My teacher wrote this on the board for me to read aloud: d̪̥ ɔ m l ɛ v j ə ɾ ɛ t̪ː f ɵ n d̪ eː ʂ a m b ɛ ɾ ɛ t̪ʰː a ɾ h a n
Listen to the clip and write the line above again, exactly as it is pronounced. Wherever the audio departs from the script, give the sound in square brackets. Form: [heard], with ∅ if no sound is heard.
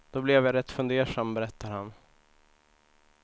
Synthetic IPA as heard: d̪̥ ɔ [b] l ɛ v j [a] ɾ ɛ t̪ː f ɵ n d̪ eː ʂ a m b ɛ ɾ ɛ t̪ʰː a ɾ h a n